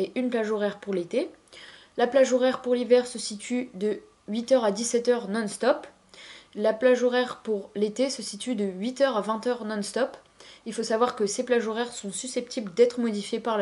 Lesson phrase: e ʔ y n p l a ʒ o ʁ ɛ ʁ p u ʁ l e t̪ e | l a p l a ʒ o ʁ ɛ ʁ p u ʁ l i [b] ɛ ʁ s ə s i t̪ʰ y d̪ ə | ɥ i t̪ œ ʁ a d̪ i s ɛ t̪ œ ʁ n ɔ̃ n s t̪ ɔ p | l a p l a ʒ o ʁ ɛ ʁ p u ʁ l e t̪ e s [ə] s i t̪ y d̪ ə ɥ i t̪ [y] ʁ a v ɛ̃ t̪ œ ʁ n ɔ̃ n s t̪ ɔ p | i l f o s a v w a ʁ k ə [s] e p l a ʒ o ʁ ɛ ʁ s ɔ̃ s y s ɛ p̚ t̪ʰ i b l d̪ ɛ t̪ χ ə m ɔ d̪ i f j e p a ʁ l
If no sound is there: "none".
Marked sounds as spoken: v, ə, œ, s

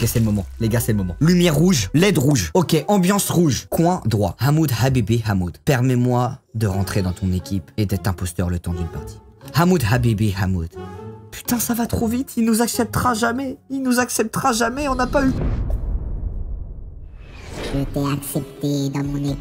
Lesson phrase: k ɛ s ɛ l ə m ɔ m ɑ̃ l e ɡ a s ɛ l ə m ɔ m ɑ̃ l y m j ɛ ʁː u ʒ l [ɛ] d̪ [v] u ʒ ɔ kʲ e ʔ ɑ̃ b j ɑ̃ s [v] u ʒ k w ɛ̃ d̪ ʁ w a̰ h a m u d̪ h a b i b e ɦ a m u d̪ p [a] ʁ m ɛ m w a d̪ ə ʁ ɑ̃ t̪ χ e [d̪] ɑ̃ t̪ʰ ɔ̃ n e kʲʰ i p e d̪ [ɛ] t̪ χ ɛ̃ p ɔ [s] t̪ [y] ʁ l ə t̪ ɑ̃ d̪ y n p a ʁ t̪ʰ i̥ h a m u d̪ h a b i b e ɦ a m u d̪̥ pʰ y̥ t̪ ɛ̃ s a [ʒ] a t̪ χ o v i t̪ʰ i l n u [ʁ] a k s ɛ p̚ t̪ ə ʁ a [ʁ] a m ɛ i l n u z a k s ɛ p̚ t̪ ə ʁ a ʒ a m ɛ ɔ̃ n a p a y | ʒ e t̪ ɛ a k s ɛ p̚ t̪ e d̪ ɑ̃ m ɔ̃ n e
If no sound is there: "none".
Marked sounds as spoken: ɛ, ʁ, ʁ, ɛ, d̪, ɛ, s, œ, v, z, ʒ

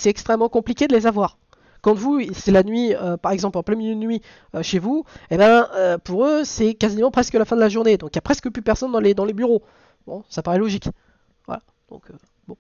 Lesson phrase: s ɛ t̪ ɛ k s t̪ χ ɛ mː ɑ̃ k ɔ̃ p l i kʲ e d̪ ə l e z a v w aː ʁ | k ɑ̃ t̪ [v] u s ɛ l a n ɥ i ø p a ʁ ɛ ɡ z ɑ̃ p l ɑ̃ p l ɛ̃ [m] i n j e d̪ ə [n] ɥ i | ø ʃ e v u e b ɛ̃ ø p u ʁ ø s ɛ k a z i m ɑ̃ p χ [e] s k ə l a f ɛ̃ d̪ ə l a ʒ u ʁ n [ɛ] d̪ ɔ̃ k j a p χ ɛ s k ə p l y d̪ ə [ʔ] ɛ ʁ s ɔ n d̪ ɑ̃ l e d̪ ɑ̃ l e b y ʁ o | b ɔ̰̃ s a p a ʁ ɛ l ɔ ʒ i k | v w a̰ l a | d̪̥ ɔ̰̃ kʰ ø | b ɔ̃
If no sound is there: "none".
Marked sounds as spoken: v, m, n, ɛ, e, p

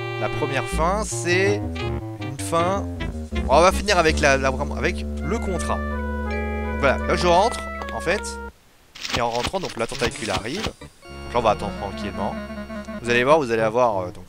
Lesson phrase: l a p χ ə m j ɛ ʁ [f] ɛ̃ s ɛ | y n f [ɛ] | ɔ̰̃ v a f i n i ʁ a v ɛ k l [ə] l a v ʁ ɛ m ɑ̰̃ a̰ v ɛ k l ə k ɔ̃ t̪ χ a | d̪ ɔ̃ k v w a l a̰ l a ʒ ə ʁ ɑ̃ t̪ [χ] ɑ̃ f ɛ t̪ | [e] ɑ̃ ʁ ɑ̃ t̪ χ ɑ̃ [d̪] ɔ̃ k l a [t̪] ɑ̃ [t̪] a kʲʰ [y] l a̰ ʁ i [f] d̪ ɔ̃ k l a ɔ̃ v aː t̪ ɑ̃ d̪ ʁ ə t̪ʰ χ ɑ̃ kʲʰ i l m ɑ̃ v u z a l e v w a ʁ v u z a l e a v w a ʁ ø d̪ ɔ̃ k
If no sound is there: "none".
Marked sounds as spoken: f, ɛ̃, a, χ, e, d̪, t̪, t̪, y, v

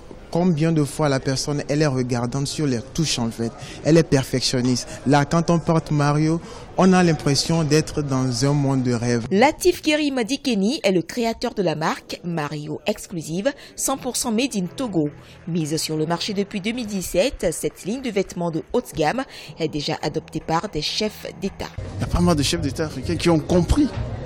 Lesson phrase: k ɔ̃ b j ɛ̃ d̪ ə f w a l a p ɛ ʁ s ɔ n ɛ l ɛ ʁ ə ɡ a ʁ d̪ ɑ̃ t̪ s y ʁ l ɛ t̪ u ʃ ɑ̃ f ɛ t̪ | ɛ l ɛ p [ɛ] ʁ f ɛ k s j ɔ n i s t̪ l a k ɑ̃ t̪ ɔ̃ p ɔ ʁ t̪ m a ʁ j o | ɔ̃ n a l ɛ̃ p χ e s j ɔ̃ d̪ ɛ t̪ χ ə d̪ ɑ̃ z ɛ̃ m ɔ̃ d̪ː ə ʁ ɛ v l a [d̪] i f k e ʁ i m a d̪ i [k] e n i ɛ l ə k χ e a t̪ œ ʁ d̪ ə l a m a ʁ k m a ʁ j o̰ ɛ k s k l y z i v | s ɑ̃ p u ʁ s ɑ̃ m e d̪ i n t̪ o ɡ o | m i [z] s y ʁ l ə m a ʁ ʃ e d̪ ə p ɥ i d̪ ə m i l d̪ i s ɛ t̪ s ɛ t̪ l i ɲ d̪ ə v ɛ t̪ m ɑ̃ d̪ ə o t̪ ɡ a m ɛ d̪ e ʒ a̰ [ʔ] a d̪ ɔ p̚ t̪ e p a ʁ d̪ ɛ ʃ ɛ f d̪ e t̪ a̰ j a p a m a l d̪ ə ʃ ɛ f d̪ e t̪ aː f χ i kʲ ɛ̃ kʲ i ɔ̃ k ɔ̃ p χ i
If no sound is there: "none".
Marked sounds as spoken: ɛ, t̪, k, z, ʔ

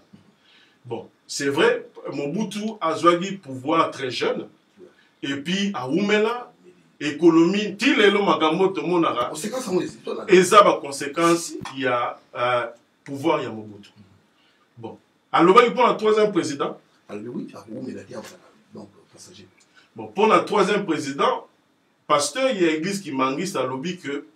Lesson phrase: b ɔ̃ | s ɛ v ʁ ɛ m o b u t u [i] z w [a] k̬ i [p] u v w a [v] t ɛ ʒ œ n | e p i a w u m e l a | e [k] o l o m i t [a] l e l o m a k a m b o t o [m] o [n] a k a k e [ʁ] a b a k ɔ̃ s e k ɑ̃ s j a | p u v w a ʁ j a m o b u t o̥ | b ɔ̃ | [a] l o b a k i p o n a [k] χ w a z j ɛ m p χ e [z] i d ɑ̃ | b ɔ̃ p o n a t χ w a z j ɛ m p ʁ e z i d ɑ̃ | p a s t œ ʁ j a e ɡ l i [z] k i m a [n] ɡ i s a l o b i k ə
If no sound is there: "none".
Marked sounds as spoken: a, a, p, ʁ, k, i, m, n, z, a, t, z, z, ŋ

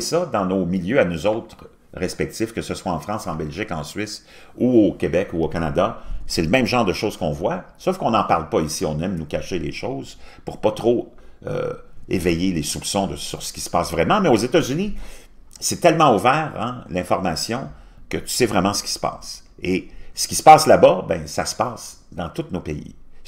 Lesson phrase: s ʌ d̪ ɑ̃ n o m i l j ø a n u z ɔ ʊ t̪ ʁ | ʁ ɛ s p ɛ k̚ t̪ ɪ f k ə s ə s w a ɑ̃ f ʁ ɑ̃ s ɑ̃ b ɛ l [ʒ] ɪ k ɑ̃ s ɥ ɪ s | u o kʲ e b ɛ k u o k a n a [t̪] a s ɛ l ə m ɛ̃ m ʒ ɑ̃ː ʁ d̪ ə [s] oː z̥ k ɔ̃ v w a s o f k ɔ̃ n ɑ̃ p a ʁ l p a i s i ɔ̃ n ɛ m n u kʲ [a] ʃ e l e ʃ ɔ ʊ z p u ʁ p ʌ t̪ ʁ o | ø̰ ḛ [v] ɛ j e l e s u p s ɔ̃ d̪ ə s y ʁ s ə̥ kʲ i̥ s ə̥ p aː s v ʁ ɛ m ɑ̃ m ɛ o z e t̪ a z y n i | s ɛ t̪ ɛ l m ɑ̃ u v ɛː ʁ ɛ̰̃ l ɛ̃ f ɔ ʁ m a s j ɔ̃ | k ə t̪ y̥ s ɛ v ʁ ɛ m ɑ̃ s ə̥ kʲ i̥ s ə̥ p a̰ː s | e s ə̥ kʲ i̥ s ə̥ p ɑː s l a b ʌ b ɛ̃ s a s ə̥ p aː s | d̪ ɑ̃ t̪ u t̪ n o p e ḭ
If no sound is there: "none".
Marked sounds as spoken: ʒ, d̪, ʃ, a, v

